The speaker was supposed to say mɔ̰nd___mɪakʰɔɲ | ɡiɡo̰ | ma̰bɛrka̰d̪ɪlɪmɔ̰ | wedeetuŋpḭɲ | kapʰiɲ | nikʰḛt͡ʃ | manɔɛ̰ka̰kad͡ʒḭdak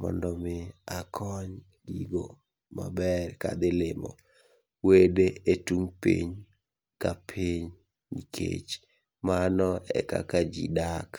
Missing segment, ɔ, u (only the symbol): ɔ